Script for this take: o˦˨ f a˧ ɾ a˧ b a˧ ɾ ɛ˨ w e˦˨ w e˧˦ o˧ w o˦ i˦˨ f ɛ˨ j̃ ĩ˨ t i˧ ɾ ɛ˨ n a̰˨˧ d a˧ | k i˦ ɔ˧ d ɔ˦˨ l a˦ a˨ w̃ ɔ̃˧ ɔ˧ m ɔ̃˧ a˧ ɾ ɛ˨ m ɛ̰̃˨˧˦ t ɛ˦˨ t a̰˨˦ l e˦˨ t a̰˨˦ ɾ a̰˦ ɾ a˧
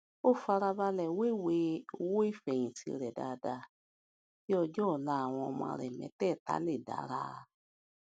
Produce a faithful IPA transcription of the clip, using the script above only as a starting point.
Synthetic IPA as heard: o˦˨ f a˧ ɾ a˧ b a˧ l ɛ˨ w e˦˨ w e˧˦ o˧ w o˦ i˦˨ f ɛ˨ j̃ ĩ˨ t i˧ ɾ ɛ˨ d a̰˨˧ d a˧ | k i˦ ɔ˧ d͡ʒ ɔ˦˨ l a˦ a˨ w̃ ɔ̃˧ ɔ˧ m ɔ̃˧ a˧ ɾ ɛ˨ m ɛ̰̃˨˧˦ t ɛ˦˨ t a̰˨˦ l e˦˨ d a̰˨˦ ɾ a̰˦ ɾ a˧